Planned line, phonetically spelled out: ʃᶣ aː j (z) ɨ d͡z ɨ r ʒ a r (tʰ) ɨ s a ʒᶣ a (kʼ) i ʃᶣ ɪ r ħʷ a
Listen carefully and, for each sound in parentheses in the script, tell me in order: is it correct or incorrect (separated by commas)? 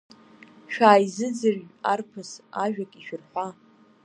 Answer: correct, incorrect, correct